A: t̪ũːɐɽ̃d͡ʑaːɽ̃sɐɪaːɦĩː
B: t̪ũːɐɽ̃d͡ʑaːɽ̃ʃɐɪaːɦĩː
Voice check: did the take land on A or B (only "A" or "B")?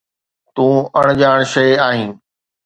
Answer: B